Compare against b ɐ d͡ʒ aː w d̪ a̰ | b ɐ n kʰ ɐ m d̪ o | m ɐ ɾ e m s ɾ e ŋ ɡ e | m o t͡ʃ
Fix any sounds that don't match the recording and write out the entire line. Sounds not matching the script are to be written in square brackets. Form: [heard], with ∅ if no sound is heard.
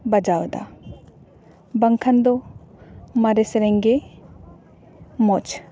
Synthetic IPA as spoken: b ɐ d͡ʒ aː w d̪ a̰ | b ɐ [ŋ] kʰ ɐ [n] d̪ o | m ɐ ɾ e [∅] s ɾ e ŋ ɡ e | m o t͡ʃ

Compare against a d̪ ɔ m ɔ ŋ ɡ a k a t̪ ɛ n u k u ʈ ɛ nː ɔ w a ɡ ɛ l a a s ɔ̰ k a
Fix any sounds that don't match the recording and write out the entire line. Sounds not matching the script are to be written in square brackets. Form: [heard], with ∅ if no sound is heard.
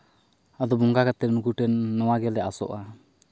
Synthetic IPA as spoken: a d̪ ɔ [b] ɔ ŋ ɡ a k a t̪ ɛ n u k u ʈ ɛ nː ɔ w a ɡ ɛ l [ɛ] a s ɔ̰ [ʔ] a

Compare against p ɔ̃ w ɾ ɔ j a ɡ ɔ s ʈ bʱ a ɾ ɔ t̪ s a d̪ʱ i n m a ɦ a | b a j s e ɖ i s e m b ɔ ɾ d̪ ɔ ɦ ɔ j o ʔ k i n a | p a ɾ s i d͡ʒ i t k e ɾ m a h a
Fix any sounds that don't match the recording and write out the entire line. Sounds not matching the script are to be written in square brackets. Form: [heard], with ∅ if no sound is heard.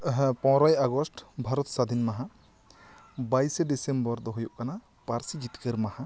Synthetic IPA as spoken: p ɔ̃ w ɾ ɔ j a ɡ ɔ s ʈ bʱ a ɾ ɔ t̪ s a d̪ʱ i n m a ɦ a | b a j s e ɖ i s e m b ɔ ɾ d̪ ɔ ɦ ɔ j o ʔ k [a] n a | p a ɾ s i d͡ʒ i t k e ɾ m a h a

